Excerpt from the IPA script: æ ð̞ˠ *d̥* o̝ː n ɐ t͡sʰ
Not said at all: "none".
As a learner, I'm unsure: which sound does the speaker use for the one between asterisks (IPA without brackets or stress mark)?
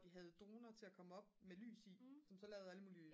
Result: d̥